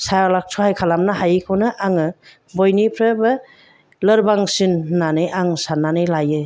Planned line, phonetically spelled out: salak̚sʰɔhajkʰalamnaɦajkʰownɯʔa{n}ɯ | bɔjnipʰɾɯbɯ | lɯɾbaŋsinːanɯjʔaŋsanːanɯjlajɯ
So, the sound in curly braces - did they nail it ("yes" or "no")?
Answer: no